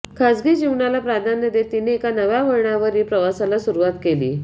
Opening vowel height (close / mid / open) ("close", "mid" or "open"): open